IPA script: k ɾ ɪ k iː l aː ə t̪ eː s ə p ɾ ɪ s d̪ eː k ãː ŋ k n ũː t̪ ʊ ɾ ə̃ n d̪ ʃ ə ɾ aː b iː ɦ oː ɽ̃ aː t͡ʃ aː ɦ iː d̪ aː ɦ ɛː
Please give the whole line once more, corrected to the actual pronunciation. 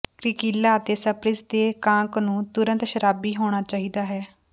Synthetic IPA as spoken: k ɾ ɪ k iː l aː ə t̪ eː s ə p ɾ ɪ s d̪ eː k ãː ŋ k n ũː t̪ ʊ ɾ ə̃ n t̪ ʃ ə ɾ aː b iː ɦ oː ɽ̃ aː t͡ʃ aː ɦ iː d̪ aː ɦ ɛː